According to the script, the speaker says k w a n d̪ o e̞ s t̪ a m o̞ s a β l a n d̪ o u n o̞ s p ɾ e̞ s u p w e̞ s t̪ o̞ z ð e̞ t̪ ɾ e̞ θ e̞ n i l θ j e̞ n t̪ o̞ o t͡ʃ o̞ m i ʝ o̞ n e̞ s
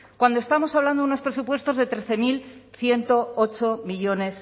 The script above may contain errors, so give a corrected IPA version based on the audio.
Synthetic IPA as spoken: k w a n d̪ o e̞ s t̪ a m o̞ s a β l a n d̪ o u n o̞ s p ɾ e̞ s u p w e̞ s t̪ o̞ z ð e̞ t̪ ɾ e̞ θ e̞ m i l θ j e̞ n t̪ o̞ o t͡ʃ o̞ m i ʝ o̞ n e̞ s